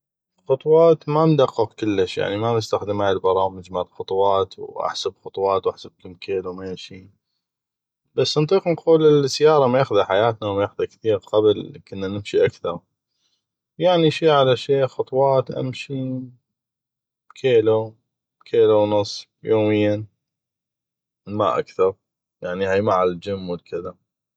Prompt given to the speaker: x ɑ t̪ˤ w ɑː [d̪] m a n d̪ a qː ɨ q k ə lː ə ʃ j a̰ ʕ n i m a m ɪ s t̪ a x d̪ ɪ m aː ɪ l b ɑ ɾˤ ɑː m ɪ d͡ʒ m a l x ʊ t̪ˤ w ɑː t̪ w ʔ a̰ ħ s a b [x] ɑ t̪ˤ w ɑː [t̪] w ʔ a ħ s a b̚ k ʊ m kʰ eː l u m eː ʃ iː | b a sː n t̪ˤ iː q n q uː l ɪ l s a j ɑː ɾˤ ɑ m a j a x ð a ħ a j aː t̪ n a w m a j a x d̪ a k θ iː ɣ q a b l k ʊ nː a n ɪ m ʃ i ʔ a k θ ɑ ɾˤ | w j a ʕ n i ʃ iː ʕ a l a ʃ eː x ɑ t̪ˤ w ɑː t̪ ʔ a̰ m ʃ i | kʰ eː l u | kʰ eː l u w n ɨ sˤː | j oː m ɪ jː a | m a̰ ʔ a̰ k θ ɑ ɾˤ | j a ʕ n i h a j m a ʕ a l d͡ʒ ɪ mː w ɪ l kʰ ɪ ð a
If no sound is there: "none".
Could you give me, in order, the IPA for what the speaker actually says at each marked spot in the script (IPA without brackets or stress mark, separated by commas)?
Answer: t̪, x, t̪